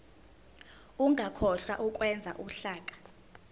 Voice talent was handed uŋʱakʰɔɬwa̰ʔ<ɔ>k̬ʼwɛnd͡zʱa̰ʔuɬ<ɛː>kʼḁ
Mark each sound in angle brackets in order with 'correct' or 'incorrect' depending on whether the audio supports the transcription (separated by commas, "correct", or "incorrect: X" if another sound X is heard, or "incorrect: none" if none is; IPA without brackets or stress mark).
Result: incorrect: u, incorrect: aː